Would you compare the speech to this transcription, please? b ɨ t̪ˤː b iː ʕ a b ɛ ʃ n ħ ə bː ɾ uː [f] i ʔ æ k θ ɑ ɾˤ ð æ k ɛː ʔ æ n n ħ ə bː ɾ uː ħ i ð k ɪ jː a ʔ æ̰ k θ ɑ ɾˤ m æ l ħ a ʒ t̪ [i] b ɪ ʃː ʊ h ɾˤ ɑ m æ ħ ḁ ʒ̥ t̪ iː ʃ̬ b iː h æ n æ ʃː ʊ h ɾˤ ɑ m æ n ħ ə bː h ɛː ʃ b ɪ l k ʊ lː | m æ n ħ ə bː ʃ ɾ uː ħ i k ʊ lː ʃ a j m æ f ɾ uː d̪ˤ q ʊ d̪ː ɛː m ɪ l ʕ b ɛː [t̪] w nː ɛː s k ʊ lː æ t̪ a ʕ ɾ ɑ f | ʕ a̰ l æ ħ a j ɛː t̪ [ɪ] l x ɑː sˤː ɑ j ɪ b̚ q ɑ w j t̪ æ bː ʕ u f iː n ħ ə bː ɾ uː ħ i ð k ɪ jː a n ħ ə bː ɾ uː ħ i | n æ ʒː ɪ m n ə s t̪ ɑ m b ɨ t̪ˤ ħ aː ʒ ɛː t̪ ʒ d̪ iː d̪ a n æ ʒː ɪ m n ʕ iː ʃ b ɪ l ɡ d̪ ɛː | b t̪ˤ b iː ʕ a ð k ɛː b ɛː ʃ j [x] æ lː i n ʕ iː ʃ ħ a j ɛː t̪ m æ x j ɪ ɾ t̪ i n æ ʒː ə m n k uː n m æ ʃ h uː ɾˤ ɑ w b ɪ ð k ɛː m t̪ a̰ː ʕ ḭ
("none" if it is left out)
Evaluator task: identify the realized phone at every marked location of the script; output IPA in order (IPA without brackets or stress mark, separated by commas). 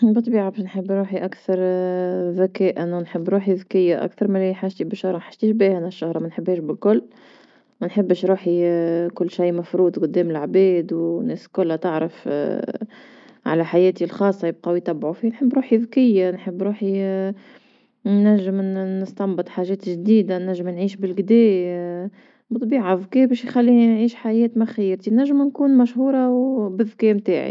ħ, i, d̪, i, x